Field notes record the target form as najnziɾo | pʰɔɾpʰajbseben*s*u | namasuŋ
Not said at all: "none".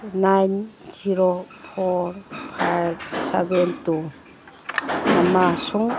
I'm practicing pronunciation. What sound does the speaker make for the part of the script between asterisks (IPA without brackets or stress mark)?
t